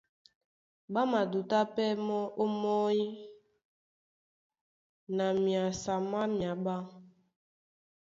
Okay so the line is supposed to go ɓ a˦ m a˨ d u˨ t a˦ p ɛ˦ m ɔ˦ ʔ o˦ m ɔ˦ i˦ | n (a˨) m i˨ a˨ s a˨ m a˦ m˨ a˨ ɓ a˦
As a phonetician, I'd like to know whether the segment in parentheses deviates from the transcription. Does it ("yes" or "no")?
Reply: no